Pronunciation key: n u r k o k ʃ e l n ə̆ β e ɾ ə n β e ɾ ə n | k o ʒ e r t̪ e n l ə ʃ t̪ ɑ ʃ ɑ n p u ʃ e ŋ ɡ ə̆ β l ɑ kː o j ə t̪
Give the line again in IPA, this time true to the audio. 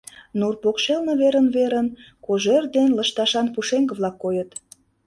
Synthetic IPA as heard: n u r p o k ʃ e l n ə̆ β e ɾ ə n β e ɾ ə n | k o ʒ e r d̪ e n l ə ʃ t̪ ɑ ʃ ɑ n p u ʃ e ŋ ɡ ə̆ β l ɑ kː o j ə t̪